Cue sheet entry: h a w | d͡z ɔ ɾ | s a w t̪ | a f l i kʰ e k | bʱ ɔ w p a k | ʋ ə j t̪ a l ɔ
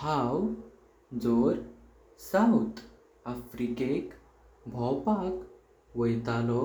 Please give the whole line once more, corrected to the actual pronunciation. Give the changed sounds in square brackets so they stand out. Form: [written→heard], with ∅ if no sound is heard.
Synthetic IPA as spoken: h a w | d͡z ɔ ɾ | s a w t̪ | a f [l→ɾ] i [kʰ→k] e k | bʱ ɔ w p a k | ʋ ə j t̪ a l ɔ